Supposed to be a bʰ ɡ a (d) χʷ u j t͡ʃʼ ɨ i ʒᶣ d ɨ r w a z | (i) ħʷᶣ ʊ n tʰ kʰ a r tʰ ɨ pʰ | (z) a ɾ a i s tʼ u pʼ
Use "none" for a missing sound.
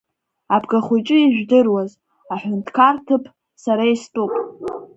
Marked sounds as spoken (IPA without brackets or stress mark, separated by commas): none, a, s